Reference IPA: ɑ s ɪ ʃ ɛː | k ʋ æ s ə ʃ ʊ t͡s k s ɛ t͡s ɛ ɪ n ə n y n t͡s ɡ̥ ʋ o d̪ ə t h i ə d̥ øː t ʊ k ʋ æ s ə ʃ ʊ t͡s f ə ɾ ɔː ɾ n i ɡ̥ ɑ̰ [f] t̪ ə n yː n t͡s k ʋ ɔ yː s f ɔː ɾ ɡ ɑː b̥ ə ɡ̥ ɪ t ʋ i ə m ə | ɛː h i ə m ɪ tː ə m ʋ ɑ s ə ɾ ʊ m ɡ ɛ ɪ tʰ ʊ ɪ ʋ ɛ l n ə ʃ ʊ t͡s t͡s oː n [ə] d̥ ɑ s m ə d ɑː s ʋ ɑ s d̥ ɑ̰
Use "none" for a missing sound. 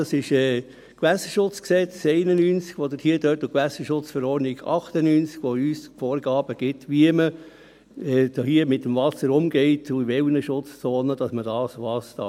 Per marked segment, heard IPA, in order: χ, ə

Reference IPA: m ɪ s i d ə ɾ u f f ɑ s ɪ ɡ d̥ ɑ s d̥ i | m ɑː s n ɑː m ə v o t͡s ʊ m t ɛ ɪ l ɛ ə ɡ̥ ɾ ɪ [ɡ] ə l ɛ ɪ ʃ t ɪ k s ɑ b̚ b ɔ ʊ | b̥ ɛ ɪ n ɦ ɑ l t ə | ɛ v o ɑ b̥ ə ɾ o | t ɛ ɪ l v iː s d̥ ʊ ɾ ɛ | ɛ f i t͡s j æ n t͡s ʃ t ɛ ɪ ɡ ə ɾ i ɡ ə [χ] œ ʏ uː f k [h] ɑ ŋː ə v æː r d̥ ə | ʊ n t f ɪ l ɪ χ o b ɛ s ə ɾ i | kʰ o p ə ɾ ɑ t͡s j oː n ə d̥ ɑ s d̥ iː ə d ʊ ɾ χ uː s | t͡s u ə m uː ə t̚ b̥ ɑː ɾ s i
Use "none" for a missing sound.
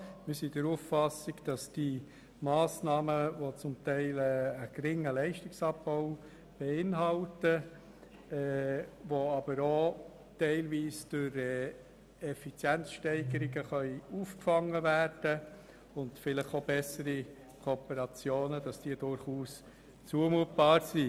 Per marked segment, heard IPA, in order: ŋ, χ, f

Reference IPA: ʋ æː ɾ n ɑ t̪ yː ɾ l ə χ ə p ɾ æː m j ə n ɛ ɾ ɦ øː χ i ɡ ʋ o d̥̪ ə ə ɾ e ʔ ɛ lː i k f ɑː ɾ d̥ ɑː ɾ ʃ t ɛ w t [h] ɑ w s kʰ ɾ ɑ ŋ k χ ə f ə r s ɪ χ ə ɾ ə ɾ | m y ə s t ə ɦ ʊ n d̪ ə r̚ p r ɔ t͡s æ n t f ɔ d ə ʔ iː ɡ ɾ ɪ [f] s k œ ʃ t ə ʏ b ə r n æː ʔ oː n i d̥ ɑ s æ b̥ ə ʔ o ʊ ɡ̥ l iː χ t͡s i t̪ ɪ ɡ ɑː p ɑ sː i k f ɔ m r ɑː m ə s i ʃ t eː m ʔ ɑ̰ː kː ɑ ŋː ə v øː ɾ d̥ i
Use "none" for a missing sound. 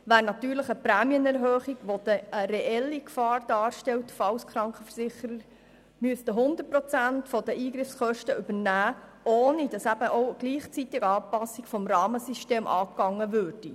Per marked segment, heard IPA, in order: f, f

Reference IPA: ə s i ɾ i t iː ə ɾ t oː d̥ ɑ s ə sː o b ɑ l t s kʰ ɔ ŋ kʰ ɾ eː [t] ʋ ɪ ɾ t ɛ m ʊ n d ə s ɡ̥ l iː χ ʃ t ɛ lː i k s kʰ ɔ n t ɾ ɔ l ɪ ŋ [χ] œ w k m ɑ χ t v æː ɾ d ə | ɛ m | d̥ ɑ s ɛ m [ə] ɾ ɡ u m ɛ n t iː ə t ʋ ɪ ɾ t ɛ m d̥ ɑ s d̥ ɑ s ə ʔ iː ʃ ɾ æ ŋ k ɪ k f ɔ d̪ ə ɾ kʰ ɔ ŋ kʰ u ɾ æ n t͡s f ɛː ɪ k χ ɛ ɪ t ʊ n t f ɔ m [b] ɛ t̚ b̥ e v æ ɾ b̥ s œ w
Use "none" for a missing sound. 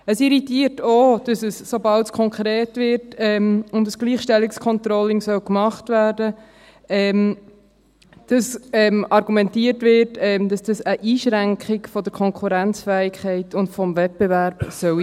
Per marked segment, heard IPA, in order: t, s, ɑ, v

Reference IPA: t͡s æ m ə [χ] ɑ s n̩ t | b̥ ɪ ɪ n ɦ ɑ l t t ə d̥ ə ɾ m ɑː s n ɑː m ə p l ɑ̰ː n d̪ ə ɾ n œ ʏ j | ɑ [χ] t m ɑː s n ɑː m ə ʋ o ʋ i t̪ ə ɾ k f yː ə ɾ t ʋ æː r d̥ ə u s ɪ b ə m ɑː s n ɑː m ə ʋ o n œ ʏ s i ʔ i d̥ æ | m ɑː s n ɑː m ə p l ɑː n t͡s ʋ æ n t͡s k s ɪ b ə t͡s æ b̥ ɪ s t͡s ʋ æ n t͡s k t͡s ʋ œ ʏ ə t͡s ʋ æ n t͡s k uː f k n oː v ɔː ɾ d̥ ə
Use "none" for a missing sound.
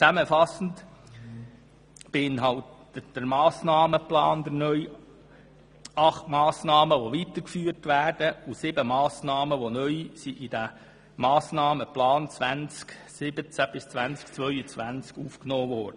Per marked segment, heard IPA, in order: f, χ

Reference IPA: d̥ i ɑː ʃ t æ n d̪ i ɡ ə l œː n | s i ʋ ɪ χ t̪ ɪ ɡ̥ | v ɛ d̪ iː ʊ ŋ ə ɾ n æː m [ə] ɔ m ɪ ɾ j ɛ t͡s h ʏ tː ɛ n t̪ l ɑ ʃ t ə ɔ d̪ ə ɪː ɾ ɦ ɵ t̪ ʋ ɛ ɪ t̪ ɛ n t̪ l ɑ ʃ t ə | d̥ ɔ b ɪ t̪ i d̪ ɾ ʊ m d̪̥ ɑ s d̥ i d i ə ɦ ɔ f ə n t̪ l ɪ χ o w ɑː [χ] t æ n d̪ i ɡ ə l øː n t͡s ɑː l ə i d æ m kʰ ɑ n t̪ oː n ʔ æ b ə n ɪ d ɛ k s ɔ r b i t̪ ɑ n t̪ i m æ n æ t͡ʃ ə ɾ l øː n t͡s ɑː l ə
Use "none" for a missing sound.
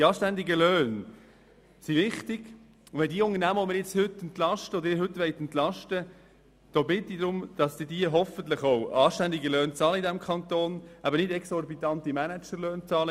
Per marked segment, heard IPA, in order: ə, ʃ

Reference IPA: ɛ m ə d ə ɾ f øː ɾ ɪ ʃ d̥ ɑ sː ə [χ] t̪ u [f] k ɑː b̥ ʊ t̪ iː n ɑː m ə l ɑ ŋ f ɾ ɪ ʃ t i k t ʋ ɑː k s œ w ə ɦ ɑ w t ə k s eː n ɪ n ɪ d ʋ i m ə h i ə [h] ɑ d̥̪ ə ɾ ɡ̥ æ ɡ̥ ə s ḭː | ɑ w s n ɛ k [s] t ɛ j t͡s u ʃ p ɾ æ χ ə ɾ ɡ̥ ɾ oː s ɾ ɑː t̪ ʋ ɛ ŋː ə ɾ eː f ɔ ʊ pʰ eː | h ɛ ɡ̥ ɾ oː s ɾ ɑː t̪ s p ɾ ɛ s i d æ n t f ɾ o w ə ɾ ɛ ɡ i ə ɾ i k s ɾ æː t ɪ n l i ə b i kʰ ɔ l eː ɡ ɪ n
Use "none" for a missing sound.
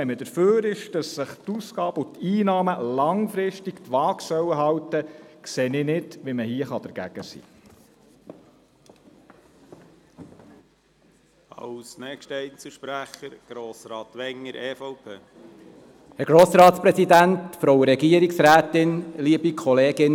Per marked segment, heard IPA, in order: χ, s, χ, ʃ

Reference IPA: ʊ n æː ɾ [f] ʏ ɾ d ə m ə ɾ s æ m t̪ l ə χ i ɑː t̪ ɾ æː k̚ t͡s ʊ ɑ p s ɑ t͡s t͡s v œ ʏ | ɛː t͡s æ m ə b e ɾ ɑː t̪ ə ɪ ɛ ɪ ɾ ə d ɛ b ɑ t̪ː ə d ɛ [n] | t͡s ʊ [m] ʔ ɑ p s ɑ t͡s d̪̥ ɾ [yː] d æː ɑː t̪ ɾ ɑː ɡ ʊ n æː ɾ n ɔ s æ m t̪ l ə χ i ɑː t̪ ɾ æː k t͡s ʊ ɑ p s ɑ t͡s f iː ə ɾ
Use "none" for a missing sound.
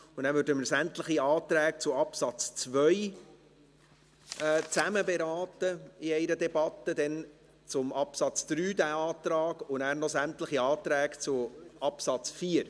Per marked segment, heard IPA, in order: v, n, m, yː

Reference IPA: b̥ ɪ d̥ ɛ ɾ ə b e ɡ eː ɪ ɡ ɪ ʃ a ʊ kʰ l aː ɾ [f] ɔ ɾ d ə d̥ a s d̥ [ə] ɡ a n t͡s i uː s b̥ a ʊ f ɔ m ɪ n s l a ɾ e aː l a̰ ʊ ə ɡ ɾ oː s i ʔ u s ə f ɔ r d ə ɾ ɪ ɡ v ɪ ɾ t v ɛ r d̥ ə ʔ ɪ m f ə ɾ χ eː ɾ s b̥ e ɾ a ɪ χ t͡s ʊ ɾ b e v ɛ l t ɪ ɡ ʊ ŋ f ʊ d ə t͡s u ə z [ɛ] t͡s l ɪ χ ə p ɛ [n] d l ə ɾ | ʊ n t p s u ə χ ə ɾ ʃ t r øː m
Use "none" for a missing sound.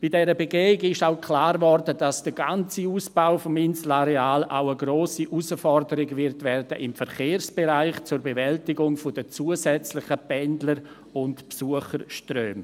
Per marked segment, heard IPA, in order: v, ə, ɛ, n

